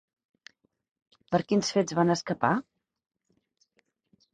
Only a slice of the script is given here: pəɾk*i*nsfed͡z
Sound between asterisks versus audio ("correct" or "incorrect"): correct